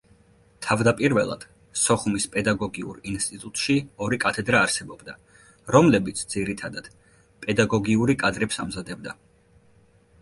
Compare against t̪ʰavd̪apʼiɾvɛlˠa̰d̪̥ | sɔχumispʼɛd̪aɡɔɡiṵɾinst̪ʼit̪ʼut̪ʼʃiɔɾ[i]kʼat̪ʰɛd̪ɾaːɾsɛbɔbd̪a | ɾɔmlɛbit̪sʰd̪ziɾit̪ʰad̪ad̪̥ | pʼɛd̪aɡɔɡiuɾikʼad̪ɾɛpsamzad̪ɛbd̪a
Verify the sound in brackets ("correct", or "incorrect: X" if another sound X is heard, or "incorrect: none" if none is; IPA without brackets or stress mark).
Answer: correct